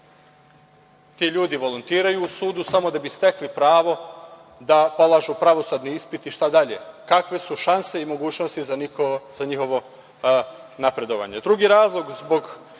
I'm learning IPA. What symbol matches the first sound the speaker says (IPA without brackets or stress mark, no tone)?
t̪